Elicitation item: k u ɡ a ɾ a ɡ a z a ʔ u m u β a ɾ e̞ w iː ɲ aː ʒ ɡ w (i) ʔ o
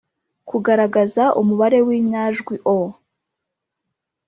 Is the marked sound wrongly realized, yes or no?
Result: no